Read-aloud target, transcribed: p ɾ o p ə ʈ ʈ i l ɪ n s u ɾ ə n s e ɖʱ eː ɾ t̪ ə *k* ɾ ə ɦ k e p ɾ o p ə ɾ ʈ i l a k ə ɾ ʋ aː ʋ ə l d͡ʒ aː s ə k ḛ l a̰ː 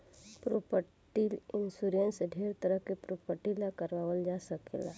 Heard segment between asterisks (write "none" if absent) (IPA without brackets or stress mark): none